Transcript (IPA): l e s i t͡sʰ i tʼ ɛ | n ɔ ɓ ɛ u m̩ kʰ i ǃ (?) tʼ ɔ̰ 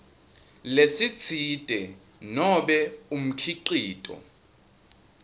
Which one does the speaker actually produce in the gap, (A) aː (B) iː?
B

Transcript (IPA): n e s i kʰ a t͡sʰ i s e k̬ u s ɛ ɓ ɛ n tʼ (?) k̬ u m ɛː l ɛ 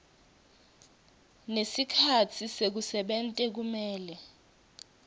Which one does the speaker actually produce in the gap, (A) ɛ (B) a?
A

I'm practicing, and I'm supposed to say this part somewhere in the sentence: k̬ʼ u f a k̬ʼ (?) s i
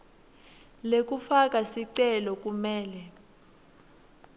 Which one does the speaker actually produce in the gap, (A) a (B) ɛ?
A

